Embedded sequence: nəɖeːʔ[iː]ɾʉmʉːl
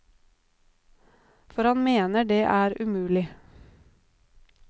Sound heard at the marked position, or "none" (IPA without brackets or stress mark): æː